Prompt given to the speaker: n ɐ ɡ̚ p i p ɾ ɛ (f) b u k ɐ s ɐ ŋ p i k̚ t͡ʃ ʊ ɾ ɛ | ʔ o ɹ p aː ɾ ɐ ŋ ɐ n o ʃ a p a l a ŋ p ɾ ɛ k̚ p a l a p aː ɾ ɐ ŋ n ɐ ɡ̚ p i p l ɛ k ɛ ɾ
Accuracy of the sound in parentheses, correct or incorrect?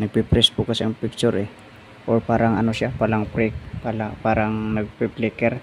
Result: incorrect